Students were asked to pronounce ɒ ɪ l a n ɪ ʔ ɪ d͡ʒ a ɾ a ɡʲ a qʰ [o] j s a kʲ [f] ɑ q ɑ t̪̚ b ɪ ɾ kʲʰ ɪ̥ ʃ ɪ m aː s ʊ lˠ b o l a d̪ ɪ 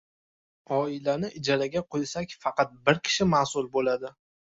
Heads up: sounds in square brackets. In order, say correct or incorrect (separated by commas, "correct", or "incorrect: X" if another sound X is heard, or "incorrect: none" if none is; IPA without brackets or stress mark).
correct, correct